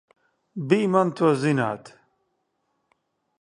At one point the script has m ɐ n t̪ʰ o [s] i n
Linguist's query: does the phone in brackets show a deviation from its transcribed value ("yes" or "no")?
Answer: yes